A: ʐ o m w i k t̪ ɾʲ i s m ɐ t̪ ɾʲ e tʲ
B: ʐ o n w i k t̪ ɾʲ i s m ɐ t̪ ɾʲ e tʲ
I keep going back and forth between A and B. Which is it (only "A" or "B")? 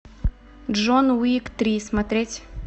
B